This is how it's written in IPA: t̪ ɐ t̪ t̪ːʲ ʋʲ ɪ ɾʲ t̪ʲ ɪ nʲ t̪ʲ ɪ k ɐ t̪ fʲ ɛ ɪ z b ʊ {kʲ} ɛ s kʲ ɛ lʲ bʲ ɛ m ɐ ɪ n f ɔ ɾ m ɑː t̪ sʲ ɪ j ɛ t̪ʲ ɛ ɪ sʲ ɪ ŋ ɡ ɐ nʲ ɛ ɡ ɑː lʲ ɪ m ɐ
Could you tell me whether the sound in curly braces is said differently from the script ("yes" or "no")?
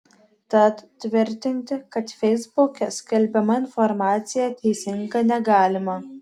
no